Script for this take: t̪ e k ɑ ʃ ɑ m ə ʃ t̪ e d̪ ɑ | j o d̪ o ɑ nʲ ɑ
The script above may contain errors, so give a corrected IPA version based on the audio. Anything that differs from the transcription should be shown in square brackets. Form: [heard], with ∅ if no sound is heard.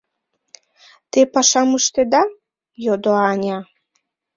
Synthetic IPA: t̪ e [p] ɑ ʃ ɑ m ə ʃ t̪ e d̪ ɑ | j o d̪ o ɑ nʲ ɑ

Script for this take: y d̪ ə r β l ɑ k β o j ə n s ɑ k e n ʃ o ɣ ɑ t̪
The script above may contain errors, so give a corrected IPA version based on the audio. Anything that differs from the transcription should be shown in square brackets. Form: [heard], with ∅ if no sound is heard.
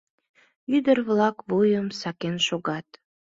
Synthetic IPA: y d̪ ə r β l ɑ k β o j ə [m] s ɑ k e n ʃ o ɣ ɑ t̪

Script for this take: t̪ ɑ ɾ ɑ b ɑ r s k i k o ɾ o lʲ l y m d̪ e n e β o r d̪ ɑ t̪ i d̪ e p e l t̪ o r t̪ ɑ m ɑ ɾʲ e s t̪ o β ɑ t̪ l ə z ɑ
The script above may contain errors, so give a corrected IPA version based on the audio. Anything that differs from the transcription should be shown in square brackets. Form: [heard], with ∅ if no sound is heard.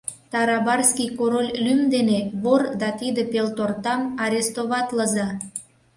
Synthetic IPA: t̪ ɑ ɾ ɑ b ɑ r s k i k o ɾ o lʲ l y m d̪ e n e β o r d̪ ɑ t̪ i d̪ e p e l t̪ o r t̪ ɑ m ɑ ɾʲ e s t̪ o β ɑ t̪ l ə z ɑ

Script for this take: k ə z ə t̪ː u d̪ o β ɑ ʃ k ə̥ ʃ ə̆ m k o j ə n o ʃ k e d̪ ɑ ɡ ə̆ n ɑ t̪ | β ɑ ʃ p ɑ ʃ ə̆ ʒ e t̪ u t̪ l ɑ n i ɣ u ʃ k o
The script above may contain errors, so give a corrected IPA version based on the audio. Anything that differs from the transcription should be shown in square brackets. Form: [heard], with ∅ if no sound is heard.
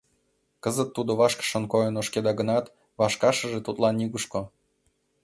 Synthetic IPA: k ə z ə t̪ː u d̪ o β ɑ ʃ k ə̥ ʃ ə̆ [n] k o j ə n o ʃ k e d̪ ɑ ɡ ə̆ n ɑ t̪ | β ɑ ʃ [k] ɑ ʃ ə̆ ʒ e t̪ u t̪ l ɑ n i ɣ u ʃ k o

